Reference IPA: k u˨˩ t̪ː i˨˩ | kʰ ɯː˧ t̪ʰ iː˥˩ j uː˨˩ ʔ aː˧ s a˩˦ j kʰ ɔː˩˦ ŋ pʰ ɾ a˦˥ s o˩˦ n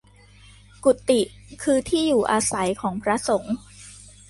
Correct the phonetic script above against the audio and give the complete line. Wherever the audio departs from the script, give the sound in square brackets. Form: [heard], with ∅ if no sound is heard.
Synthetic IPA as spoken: k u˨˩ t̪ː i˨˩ | kʰ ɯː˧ t̪ʰ iː˥˩ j uː˨˩ ʔ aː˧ s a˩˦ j kʰ ɔː˩˦ ŋ pʰ ɾ a˦˥ s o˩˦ [ŋ]

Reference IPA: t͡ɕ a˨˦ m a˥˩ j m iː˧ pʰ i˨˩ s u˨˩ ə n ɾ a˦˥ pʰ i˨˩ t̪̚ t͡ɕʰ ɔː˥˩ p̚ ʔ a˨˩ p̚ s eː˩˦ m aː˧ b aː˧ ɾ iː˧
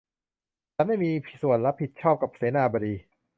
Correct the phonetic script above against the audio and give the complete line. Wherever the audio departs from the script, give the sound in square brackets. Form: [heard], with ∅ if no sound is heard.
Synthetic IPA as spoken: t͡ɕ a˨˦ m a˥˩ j m iː˧ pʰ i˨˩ s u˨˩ ə n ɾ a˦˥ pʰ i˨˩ t̪̚ t͡ɕʰ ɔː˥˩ p̚ [k] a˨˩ p̚ s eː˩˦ [n] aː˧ b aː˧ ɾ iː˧

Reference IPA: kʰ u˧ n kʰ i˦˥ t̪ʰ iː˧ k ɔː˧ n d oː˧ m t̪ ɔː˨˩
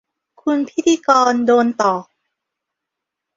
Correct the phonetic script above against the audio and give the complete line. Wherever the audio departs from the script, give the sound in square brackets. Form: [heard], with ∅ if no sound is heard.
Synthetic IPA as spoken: kʰ u˧ n [pʰ] i˦˥ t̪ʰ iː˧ k ɔː˧ n d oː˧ [n] t̪ ɔː˨˩

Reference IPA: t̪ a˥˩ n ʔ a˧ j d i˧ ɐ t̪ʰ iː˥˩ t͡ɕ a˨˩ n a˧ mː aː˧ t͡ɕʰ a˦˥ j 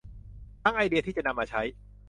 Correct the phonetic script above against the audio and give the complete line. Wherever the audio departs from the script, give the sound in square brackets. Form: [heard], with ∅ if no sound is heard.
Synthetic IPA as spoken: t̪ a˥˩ [ŋ] ʔ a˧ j d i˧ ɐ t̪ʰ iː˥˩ t͡ɕ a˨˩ n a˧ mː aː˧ t͡ɕʰ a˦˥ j

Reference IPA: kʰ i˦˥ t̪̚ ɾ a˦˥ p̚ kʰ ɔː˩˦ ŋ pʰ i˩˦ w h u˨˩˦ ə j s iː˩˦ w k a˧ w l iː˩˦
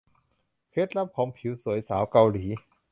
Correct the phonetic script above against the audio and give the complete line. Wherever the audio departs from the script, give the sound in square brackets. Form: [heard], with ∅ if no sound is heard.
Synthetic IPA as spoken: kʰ [e˦˥] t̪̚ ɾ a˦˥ p̚ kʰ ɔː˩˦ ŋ pʰ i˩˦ w [s] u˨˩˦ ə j s [aː˩˦] w k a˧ w l iː˩˦

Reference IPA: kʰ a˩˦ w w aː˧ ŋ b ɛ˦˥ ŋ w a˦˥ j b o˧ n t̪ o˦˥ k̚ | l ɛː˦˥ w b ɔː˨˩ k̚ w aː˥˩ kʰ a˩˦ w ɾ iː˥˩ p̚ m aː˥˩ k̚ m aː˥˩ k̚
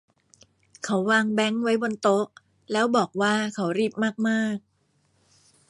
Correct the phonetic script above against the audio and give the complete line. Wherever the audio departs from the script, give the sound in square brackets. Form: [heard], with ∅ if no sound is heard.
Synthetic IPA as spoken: kʰ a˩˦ w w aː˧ ŋ b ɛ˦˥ ŋ w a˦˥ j b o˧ n t̪ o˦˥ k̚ | l ɛː˦˥ w b ɔː˨˩ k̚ w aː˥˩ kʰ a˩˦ w ɾ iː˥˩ p̚ m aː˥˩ k̚ m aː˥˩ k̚

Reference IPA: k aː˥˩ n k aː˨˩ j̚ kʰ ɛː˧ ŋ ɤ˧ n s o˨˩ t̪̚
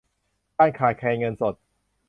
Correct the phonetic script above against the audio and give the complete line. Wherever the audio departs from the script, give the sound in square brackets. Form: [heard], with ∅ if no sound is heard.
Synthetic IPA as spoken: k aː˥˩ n [kʰ] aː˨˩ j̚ kʰ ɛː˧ ŋ ɤ˧ n s o˨˩ t̪̚

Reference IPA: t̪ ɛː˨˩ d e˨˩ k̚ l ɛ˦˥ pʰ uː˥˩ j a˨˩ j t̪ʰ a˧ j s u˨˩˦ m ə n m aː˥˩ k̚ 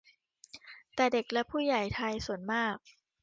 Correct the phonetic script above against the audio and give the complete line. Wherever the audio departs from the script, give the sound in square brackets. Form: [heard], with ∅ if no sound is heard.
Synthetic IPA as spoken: t̪ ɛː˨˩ d e˨˩ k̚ l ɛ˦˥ pʰ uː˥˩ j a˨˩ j t̪ʰ a˧ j s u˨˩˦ [∅] ə n m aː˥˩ k̚

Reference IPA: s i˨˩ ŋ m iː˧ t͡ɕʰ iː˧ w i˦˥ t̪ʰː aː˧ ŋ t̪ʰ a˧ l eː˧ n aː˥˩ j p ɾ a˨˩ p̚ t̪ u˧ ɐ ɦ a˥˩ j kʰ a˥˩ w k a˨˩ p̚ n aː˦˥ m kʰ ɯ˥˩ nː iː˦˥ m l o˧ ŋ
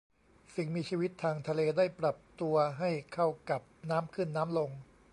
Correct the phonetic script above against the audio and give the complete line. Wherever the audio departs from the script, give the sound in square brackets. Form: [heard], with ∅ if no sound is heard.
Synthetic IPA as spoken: s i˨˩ ŋ m iː˧ t͡ɕʰ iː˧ w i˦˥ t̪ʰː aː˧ ŋ t̪ʰ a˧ l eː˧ [d] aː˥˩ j p ɾ a˨˩ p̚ t̪ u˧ ɐ ɦ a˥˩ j kʰ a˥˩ w k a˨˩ p̚ n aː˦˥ m kʰ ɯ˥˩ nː [aː˦˥] m l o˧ ŋ

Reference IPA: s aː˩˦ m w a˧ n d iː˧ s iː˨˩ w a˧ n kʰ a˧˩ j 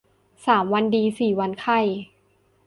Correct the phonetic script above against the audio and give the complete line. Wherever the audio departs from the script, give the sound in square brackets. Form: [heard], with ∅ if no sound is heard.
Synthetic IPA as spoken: s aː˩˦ m w a˧ n d iː˧ s iː˨˩ w a˧ n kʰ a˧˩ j

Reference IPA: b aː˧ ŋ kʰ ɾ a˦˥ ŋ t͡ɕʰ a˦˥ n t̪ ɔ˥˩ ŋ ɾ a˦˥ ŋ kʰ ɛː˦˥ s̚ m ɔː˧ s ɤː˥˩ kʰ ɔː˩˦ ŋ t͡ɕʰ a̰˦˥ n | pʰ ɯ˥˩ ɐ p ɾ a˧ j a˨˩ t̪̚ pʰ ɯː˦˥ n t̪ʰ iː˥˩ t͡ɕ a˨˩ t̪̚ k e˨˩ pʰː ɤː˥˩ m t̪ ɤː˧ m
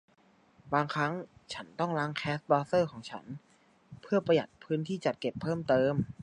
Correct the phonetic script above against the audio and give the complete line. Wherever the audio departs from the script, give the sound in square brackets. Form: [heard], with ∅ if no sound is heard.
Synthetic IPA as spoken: b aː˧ ŋ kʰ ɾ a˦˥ ŋ t͡ɕʰ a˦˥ n t̪ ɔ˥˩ ŋ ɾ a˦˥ ŋ kʰ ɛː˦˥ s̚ [b] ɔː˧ s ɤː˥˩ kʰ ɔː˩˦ ŋ t͡ɕʰ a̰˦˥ n | pʰ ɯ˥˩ ɐ p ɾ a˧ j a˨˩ t̪̚ pʰ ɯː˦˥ n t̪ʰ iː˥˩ t͡ɕ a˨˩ t̪̚ k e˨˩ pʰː ɤː˥˩ m t̪ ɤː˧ m

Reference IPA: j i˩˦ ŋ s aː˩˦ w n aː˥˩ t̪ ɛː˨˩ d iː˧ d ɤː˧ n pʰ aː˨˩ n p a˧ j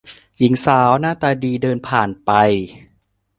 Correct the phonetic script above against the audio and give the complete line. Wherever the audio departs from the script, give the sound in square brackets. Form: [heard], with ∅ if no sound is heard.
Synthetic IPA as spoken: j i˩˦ ŋ s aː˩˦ w n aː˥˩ t̪ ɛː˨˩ d iː˧ d ɤː˧ n pʰ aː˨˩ n p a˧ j

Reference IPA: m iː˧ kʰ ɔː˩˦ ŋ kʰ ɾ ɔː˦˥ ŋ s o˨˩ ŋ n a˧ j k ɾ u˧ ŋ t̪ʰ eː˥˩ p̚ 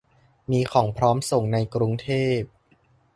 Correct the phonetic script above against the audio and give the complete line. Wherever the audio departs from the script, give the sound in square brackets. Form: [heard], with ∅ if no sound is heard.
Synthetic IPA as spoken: m iː˧ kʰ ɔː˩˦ ŋ [pʰ] ɾ ɔː˦˥ [m] s o˨˩ ŋ n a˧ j k ɾ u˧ ŋ t̪ʰ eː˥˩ p̚

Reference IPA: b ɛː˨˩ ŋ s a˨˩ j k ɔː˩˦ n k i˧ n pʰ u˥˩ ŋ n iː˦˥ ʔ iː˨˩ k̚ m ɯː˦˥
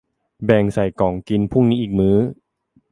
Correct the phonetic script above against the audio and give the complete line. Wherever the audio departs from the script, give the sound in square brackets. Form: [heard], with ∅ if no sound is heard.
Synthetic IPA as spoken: b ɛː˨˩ ŋ s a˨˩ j k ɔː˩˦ [ŋ] k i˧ n pʰ u˥˩ ŋ n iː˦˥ ʔ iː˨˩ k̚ m ɯː˦˥

